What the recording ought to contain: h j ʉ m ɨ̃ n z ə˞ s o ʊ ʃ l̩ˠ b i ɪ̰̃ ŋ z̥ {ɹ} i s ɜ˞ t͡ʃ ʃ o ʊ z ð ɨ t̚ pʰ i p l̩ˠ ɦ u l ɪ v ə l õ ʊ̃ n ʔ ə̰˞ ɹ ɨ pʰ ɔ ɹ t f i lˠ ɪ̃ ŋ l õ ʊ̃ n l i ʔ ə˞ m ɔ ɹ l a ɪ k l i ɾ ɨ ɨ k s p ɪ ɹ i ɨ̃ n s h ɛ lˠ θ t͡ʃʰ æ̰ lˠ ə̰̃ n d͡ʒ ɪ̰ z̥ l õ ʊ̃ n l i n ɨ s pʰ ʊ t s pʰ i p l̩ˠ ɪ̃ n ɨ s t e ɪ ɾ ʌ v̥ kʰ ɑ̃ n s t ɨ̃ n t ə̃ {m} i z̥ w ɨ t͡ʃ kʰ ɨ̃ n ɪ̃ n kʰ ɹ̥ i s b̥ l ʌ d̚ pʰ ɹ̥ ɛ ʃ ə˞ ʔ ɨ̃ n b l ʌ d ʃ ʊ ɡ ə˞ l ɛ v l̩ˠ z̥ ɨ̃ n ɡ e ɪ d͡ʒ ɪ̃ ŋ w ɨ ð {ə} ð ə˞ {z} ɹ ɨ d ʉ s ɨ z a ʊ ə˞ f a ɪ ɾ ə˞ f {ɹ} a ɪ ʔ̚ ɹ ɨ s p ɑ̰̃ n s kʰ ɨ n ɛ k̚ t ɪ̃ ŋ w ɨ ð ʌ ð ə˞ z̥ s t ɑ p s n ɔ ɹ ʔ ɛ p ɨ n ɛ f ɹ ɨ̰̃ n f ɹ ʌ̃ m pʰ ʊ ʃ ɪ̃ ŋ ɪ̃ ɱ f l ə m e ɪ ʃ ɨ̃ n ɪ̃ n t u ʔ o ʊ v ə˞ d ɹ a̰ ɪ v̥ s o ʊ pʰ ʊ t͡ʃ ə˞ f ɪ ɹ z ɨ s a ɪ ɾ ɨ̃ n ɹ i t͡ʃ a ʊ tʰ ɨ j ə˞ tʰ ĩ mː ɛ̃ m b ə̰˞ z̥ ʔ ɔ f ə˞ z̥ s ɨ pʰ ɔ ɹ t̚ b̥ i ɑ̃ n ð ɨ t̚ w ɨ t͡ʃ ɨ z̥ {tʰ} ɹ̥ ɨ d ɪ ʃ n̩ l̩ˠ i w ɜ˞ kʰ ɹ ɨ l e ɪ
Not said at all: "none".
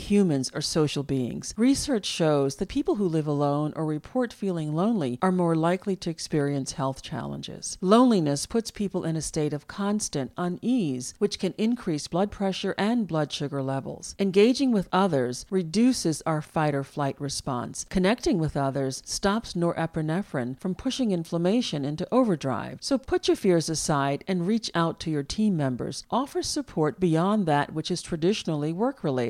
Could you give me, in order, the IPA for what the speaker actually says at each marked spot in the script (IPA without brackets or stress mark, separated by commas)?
ɹ, n, ʌ, z, l, tʰ